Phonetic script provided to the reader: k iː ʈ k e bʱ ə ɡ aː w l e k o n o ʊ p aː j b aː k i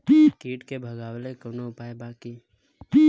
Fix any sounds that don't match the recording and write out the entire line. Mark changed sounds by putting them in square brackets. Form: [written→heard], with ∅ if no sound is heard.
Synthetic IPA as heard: k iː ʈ k e bʱ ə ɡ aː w l e k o n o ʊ p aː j b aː k i